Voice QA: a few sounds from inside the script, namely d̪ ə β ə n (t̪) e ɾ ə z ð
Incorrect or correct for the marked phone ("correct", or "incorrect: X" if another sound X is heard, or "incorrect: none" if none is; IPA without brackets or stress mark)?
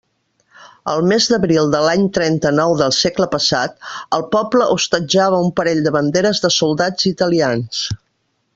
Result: incorrect: d̪